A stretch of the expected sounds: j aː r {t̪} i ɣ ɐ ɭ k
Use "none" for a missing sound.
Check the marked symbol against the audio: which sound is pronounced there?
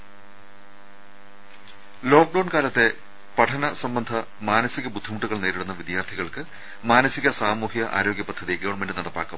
t̪ʰ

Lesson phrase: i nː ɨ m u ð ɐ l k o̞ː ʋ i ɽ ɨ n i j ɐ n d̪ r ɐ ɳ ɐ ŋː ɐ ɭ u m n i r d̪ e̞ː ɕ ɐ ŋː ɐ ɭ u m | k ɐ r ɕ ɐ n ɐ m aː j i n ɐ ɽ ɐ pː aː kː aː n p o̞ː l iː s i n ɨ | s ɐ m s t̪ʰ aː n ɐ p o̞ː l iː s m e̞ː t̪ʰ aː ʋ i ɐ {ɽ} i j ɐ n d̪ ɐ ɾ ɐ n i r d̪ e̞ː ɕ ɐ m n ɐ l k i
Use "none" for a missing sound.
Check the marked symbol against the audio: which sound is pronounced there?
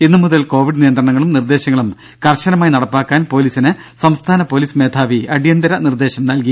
ɽ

